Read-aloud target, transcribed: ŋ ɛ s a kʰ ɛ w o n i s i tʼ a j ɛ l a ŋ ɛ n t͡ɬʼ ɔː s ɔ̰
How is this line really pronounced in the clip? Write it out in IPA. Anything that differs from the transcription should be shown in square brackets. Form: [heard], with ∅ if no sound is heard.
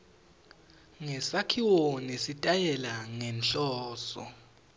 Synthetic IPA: ŋ ɛ s a kʰ [i] w o n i s i tʼ a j ɛ l a ŋ ɛ n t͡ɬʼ ɔː s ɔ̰

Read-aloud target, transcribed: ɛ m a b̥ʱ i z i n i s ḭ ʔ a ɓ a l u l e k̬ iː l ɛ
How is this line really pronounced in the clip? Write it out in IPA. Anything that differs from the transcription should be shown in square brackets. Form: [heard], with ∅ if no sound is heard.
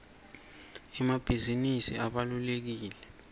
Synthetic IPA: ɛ m a b̥ʱ i z i n i s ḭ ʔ a ɓ a l u l e k̬ iː l ɛ

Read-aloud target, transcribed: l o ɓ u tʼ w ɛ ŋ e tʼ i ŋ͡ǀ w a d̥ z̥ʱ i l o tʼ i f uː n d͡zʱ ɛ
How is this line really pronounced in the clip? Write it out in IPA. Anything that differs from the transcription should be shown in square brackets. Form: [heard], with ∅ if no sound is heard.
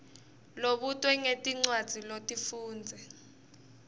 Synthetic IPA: l o ɓ u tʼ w ɛ ŋ e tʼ i ŋ͡ǀ w a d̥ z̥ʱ i l o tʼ i f uː n d͡zʱ ɛ

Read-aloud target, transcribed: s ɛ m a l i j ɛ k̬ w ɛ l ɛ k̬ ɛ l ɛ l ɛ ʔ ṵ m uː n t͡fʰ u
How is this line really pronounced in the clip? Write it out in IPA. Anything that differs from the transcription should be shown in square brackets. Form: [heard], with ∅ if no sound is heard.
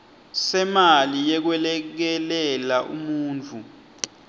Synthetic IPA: s ɛ m a l i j ɛ k̬ w ɛ l ɛ k̬ ɛ l ɛ l [a] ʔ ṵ m uː n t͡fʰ u

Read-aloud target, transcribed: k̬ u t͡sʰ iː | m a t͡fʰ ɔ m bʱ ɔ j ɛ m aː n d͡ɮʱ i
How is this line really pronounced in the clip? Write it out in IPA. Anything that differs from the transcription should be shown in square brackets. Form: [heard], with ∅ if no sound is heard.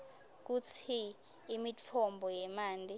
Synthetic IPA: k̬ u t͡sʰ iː | m [i] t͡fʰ ɔ m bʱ ɔ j ɛ m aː n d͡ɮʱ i

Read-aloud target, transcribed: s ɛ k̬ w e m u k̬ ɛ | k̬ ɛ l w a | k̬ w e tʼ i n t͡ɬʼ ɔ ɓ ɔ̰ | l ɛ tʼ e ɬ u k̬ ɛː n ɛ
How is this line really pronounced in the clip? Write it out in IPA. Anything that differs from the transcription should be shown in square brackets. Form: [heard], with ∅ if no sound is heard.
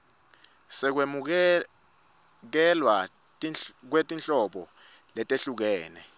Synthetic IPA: s ɛ k̬ w e m u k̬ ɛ | k̬ ɛ l w a | k̬ w e tʼ i n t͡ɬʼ ɔ ɓ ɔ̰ | l ɛ tʼ e ɬ u k̬ ɛː n ɛ

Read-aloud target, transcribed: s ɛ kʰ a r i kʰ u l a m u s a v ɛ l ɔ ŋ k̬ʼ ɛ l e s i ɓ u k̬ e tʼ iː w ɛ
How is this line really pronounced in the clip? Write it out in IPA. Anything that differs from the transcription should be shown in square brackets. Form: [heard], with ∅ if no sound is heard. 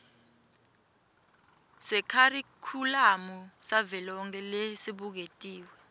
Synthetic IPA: s ɛ kʰ a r i kʰ u l a m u s a v ɛ l ɔ ŋ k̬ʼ ɛ l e s i ɓ u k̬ e tʼ iː w ɛ

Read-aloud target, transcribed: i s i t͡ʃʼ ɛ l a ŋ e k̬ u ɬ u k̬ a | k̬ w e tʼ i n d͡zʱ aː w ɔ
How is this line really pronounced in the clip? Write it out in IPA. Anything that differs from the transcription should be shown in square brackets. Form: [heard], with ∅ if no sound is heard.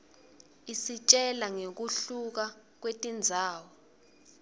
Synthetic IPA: i s i t͡ʃʼ ɛ l a ŋ e k̬ u ɬ u k̬ a | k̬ w e tʼ i n d͡zʱ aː w ɔ

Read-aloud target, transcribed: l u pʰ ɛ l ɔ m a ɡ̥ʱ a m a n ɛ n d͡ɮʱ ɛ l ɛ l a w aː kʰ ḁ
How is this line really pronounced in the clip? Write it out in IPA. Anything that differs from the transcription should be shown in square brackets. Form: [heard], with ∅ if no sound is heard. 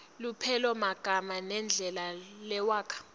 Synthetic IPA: l u pʰ ɛ l ɔ m a ɡ̥ʱ a m a n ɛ n d͡ɮʱ ɛ l [a] l [ɛ] w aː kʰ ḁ

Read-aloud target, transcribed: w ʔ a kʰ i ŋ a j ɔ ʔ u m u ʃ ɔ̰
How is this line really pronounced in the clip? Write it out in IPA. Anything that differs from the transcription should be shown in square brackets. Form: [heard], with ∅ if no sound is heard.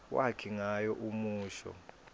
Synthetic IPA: w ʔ a kʰ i ŋ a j ɔ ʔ u m [uː] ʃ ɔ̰

